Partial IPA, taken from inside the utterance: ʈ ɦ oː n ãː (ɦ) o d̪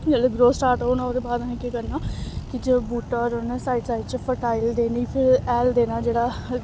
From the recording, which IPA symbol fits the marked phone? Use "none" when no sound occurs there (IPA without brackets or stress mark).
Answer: none